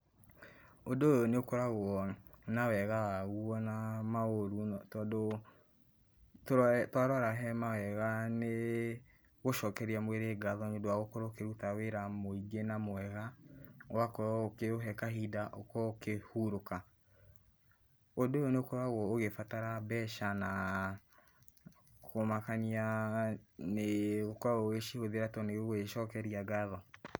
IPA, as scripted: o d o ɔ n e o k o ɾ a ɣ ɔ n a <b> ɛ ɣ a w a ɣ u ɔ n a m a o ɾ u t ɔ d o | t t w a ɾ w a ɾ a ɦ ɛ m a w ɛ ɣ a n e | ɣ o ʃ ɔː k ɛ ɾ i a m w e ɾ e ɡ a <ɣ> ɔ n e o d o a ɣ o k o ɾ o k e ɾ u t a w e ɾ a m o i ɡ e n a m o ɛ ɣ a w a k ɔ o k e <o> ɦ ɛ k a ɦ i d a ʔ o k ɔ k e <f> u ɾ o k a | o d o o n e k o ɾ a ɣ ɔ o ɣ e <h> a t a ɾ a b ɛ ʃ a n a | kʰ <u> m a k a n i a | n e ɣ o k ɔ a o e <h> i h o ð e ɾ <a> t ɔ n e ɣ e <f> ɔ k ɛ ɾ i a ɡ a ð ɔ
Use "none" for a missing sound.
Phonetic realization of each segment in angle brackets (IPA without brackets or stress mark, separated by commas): w, ð, o, h, f, o, ʃ, a, ʃ